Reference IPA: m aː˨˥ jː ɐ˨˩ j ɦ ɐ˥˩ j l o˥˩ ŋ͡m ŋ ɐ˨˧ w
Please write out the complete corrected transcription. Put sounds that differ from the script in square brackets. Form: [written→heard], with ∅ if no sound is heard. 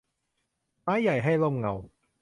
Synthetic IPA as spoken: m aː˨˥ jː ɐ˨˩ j ɦ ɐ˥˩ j l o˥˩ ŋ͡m ŋ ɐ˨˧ w